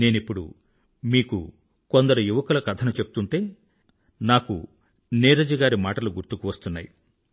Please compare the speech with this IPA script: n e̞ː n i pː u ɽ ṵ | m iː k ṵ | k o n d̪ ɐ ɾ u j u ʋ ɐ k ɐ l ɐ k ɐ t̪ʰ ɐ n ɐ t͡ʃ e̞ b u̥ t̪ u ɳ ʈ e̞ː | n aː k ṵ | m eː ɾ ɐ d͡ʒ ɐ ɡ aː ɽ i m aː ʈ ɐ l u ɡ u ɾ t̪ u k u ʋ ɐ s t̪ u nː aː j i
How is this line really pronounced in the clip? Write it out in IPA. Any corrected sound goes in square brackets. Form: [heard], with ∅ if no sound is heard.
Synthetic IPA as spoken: n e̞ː n i pː u ɽ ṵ | m iː k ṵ | k o n d̪ ɐ ɾ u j u ʋ ɐ k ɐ l ɐ k ɐ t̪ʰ ɐ n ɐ t͡ʃ e̞ b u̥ t̪ u ɳ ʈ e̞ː | n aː k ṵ | [n] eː ɾ ɐ d͡ʒ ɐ ɡ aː [ɾ] i m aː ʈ ɐ l u ɡ u ɾ t̪ u k u ʋ ɐ s t̪ u nː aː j i